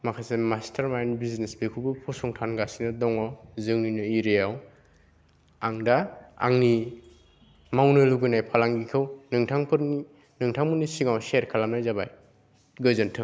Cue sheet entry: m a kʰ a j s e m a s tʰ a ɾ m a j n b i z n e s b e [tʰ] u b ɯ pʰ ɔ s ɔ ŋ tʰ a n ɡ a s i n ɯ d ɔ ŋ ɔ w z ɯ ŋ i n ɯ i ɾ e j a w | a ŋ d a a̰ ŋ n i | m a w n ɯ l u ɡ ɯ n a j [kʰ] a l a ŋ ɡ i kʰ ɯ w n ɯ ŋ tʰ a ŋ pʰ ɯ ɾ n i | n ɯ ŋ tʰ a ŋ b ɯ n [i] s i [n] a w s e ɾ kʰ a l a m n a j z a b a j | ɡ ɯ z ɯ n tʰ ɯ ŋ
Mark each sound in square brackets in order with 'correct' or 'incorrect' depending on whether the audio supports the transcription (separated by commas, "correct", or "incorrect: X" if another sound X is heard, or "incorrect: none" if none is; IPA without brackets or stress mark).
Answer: incorrect: kʰ, incorrect: pʰ, correct, incorrect: ŋ